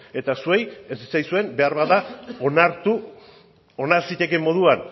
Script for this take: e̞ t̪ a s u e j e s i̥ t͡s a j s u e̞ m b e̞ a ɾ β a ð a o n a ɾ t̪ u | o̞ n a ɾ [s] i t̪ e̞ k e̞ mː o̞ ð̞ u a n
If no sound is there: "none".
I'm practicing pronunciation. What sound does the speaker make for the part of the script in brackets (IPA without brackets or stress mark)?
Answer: s